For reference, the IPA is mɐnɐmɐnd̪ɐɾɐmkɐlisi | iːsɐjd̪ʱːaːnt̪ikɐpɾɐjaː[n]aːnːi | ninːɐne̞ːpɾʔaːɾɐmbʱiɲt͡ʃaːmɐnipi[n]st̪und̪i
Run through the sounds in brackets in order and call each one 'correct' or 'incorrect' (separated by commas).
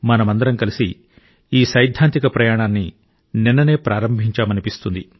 incorrect, incorrect